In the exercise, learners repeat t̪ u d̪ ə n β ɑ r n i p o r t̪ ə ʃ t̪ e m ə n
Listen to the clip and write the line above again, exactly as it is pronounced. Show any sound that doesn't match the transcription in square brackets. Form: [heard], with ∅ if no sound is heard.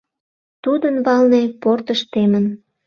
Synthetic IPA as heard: t̪ u d̪ ə n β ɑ [l] n [e] p o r t̪ ə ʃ t̪ e m ə n